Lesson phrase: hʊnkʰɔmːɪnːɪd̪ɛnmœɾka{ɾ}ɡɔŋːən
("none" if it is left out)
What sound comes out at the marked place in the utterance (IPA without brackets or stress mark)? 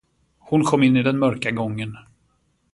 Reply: none